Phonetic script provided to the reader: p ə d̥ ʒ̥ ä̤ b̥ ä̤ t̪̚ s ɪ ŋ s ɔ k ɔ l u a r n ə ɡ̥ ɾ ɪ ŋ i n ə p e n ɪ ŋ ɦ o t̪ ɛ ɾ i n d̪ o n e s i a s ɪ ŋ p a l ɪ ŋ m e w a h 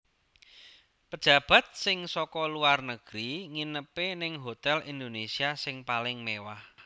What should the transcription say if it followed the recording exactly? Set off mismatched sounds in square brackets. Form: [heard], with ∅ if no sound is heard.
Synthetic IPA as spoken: p ə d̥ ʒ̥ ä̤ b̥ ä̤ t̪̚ s ɪ ŋ s ɔ k ɔ l u a r n ə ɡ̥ ɾ [i] ŋ i n ə p e n ɪ ŋ ɦ o t̪ ɛ [l] i n d̪ o n e s i a s ɪ ŋ p a l ɪ ŋ m e w a h